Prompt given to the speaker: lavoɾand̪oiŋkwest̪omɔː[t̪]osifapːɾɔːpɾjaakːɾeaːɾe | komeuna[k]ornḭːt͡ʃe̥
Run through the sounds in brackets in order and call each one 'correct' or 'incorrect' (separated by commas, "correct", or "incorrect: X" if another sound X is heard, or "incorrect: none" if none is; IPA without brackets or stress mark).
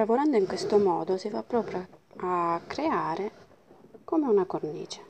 incorrect: d̪, correct